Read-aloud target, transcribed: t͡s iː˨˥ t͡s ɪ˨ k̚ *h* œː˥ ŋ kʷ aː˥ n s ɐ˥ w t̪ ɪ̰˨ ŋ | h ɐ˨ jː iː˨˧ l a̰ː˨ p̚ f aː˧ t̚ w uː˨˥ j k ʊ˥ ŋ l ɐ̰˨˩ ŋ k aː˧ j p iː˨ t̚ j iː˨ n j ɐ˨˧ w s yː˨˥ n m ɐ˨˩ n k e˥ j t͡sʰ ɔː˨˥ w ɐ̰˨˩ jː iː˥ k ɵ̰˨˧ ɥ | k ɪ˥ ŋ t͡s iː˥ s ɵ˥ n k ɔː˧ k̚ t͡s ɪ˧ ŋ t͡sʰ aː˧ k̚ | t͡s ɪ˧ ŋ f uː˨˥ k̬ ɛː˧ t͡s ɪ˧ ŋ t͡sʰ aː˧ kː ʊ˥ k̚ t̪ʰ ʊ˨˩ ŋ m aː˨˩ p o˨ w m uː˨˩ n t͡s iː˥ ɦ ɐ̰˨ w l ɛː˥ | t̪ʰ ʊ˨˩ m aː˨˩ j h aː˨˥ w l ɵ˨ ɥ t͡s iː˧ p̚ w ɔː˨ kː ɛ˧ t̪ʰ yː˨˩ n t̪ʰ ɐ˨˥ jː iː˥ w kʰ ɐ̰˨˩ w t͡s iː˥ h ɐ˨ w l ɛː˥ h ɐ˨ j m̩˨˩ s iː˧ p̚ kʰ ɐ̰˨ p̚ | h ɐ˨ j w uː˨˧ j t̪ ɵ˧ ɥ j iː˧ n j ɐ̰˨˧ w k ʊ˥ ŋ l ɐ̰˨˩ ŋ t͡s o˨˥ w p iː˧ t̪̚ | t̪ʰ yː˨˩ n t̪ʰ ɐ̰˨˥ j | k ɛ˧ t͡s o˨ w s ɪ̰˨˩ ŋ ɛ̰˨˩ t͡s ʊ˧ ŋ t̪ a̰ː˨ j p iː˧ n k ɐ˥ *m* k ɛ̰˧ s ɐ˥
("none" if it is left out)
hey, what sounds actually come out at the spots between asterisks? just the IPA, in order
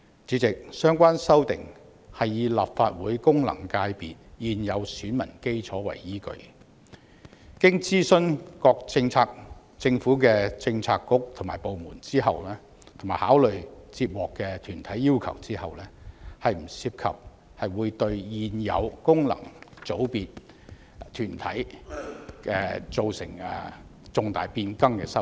s, ŋ

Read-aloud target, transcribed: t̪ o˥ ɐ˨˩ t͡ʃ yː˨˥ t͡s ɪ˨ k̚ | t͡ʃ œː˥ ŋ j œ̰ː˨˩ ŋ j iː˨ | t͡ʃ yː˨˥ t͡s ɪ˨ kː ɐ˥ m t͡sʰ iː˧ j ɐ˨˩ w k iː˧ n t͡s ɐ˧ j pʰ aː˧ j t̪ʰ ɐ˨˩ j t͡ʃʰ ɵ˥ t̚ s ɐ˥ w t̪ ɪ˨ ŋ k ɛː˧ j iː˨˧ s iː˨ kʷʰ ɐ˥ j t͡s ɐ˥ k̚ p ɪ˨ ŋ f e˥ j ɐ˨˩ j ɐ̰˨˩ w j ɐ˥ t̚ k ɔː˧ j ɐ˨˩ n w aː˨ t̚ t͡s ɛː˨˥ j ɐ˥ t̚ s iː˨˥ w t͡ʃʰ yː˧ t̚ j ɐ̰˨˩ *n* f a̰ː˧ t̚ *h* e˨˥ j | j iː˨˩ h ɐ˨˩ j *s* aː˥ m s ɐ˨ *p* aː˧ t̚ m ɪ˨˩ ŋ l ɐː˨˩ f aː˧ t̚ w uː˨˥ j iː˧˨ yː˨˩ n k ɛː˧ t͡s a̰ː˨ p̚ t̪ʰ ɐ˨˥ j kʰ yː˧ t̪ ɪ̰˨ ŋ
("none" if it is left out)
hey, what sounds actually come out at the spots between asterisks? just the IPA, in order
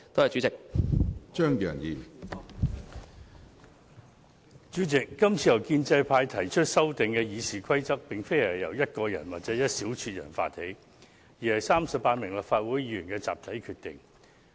n, h, s, p

